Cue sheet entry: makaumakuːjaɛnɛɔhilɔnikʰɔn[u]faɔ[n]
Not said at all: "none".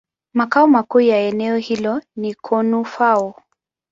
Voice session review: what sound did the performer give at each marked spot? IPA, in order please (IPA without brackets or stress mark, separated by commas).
u, none